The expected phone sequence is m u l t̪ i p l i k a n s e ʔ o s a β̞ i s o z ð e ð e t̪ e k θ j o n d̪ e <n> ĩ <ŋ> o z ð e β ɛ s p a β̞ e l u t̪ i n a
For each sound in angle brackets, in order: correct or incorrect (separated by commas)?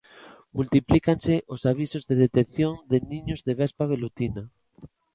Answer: correct, incorrect